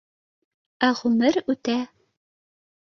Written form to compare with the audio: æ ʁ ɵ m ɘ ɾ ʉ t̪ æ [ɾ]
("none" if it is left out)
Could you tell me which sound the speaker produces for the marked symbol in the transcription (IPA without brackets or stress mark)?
none